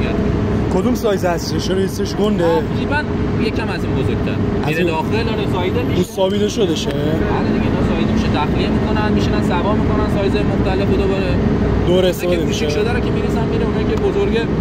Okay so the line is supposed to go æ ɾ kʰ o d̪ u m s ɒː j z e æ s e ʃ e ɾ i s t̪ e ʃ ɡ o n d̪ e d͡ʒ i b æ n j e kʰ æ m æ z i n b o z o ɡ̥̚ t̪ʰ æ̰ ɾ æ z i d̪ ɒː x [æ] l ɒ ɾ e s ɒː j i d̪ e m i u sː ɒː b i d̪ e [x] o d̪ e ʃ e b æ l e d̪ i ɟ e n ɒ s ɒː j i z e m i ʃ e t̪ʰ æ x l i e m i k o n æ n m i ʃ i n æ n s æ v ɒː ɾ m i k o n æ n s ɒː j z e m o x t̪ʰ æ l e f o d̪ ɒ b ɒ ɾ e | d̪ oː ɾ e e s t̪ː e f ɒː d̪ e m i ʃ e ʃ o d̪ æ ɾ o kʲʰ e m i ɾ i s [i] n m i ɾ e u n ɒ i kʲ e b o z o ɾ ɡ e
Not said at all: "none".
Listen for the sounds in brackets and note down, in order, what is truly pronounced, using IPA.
e, ʃ, æ

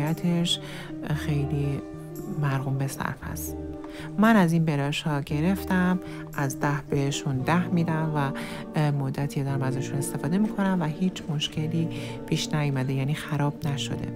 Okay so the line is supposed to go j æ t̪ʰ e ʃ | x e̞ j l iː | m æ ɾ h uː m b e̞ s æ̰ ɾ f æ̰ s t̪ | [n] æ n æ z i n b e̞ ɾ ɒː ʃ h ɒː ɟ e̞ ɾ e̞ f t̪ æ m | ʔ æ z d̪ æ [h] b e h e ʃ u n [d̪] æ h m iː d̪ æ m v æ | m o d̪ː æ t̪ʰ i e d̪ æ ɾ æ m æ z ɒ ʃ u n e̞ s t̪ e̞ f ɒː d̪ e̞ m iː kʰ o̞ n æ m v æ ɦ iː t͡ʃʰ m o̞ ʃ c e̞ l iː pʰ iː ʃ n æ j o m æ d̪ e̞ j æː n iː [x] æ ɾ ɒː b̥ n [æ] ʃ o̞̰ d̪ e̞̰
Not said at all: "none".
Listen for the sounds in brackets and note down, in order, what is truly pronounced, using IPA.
m, h, d̪, x, æ

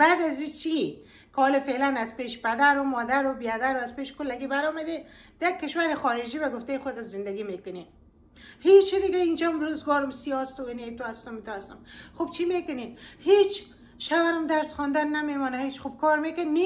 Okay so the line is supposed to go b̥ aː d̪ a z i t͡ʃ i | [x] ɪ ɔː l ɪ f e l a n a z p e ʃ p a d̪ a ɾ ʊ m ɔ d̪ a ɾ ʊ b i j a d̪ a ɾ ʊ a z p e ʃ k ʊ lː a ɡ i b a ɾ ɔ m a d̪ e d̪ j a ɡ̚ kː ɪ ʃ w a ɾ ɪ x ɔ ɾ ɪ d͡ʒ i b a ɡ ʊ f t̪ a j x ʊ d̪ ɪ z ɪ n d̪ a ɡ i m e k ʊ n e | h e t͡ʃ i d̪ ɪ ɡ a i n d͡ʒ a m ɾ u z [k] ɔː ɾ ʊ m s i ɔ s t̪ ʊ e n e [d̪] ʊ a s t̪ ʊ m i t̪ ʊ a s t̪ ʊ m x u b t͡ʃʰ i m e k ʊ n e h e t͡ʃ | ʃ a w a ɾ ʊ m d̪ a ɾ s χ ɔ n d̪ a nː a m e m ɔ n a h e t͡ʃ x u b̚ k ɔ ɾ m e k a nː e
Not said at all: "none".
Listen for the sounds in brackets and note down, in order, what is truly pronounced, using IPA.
k, ɡ, t̪

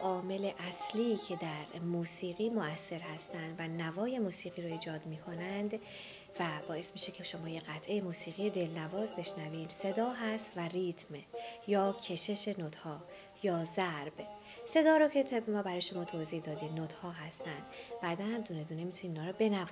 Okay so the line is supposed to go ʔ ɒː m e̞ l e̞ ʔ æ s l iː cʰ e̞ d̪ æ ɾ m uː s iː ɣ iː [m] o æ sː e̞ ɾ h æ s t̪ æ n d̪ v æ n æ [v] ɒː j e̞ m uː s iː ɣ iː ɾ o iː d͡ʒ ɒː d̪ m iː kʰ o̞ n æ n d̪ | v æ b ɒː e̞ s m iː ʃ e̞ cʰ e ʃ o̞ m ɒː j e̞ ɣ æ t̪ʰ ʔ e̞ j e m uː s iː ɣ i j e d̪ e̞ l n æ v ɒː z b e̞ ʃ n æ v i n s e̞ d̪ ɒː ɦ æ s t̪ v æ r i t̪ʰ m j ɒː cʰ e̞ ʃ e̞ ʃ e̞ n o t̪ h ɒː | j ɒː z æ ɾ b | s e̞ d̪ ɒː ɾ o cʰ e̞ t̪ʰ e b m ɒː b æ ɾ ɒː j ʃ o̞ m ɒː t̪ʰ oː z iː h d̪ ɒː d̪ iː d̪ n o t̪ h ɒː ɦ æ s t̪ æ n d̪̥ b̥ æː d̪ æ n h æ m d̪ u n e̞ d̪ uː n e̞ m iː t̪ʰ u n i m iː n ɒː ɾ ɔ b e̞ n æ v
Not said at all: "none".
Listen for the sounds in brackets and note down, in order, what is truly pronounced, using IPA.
m, v

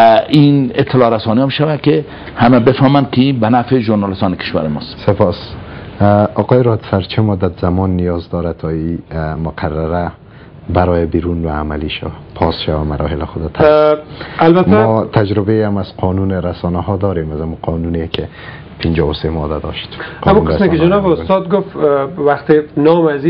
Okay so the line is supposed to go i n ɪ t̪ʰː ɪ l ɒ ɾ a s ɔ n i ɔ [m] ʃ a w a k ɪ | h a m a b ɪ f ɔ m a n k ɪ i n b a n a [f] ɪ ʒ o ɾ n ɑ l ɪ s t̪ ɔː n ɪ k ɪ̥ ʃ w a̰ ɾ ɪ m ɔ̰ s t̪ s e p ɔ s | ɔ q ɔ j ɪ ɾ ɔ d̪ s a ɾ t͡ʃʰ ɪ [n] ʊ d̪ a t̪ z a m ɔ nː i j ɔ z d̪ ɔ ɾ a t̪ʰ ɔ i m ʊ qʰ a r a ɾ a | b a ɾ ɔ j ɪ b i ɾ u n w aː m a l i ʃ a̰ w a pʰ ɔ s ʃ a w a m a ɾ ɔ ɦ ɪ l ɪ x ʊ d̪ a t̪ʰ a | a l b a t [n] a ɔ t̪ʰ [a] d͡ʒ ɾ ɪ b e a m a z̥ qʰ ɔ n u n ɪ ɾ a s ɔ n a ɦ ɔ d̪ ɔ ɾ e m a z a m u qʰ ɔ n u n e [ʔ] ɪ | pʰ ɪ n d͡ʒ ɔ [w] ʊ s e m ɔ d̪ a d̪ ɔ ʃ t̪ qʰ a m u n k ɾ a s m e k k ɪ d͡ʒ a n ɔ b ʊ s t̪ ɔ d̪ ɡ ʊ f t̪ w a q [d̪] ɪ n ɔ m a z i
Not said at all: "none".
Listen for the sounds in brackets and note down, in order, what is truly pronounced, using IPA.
m, f, m, m, a, k, w, t̪

